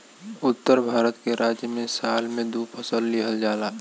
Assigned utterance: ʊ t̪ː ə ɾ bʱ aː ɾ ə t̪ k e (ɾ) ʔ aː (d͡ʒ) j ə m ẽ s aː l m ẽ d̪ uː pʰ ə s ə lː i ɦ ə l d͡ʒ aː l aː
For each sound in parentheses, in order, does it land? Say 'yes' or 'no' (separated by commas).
yes, yes